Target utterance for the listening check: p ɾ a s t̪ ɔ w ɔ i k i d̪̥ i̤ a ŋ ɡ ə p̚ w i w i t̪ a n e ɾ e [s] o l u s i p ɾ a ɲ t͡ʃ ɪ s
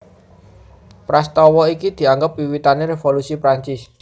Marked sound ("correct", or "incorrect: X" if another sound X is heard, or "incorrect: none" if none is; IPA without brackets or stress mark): incorrect: f